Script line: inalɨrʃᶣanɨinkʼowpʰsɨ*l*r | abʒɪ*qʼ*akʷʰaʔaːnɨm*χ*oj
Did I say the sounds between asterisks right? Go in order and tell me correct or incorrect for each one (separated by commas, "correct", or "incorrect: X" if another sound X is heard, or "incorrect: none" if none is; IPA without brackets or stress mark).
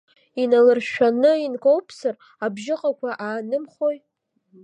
incorrect: none, correct, correct